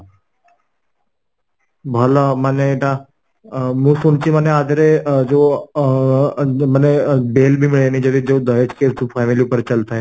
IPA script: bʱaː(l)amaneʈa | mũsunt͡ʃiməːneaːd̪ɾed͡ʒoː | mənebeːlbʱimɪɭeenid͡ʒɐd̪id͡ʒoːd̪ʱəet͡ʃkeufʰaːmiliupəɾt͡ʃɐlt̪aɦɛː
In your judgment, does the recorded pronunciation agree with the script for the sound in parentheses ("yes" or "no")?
yes